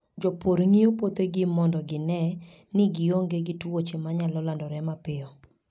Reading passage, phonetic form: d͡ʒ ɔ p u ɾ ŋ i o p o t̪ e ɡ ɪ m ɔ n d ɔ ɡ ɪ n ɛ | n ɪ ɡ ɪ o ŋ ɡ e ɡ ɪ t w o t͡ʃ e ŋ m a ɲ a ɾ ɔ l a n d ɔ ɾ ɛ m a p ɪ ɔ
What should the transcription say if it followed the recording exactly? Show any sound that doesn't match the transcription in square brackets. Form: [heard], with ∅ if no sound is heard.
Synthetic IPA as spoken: d͡ʒ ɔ p [o] ɾ ŋ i o p o t̪ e ɡ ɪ m ɔ n d ɔ ɡ ɪ n ɛ | n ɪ ɡ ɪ o ŋ ɡ e ɡ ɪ t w o t͡ʃ e [∅] m a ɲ a [l] ɔ l a n d ɔ ɾ ɛ m a p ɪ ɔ